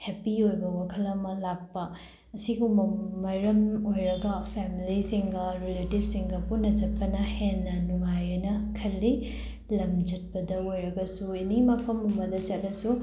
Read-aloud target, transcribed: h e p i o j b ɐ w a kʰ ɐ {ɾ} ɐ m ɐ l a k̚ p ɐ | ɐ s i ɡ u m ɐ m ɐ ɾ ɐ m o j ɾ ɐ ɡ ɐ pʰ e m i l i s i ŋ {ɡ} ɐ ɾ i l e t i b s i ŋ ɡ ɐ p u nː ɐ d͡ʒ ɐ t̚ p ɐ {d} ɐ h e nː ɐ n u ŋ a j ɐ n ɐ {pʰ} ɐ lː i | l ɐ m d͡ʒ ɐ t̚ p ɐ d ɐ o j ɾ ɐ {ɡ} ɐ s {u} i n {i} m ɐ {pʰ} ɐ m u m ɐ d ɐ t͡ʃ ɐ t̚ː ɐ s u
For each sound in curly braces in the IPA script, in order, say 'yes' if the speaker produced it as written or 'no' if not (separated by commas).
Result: no, yes, no, no, yes, yes, yes, yes